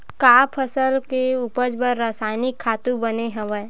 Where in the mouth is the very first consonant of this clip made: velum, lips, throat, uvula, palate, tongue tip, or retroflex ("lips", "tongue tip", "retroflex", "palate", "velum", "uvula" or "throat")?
velum